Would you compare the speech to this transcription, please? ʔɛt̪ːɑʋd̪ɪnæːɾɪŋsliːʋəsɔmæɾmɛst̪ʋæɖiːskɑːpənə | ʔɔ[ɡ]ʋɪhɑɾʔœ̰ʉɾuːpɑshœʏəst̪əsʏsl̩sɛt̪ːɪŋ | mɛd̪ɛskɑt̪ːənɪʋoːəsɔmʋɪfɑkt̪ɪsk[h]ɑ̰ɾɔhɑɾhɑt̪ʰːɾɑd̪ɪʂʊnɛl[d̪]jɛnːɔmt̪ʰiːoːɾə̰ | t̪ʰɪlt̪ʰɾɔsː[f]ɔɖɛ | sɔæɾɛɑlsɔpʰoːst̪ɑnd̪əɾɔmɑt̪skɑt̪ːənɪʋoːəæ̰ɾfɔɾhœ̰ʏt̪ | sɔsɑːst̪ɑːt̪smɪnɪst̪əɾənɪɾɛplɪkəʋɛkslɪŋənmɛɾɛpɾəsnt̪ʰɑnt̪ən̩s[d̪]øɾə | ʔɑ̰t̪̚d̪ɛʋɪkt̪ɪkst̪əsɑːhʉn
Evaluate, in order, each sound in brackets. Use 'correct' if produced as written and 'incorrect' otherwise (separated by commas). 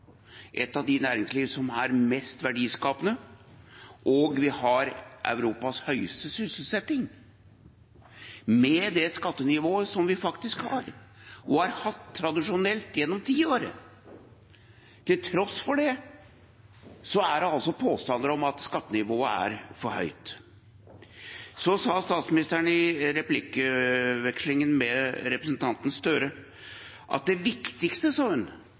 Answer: correct, correct, incorrect, correct, incorrect